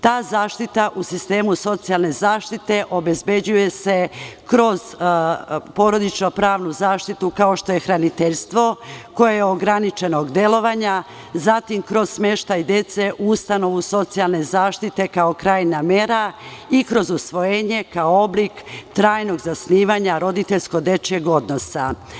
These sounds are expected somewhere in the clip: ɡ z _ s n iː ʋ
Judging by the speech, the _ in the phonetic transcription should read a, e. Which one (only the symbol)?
a